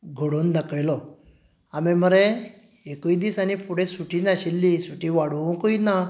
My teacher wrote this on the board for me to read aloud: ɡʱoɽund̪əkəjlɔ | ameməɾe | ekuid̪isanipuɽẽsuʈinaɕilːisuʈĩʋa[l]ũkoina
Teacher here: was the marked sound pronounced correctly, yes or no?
no